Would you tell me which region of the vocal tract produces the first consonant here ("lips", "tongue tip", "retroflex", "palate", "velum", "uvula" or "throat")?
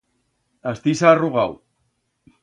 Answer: tongue tip